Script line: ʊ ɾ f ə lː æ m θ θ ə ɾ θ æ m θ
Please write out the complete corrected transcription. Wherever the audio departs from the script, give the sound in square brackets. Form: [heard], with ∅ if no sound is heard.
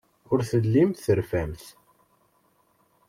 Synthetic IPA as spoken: ʊ ɾ [θ] ə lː [i] m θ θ ə ɾ [f] æ m θ